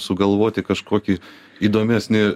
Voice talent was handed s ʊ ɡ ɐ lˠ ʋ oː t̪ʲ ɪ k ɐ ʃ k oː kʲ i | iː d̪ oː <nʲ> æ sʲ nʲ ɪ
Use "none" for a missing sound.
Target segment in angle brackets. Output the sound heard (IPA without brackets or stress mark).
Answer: mʲ